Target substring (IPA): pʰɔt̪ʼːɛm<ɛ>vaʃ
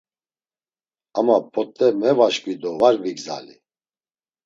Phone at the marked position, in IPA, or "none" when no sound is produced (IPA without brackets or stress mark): ɛ